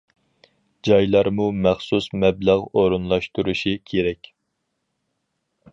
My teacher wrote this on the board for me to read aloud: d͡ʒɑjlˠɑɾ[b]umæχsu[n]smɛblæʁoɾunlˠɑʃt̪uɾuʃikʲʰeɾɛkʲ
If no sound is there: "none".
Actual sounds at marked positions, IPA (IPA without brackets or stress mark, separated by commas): m, none